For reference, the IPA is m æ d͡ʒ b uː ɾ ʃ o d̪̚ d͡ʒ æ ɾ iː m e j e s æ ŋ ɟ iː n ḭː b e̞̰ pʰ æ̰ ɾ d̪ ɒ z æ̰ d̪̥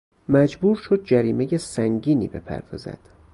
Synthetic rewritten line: m æ d͡ʒ b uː ɾ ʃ o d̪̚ d͡ʒ æ ɾ iː m e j e s æ ŋ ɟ iː n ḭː b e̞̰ pʰ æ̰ ɾ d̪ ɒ z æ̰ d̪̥